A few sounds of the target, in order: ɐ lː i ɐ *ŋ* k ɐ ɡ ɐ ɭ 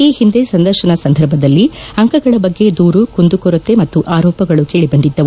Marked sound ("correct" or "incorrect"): correct